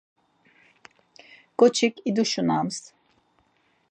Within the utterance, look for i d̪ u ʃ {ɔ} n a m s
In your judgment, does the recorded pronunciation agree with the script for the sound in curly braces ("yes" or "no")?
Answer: no